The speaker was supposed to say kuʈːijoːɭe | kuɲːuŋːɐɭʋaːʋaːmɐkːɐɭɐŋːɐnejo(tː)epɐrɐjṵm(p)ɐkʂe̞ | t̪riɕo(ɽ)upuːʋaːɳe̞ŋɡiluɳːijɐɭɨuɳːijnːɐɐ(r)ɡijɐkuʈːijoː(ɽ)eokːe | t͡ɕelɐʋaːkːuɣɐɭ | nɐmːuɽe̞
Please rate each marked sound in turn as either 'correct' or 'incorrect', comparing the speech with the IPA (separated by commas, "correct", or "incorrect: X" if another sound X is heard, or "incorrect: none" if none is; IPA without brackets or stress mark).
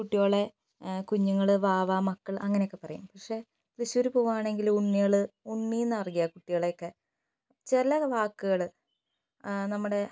incorrect: kː, correct, incorrect: ɾ, correct, incorrect: ɭ